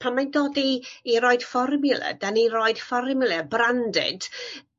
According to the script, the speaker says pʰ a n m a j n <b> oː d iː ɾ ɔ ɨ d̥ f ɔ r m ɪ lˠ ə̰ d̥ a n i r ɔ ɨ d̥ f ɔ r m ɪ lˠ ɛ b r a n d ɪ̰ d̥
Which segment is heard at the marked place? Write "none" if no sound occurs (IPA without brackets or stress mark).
d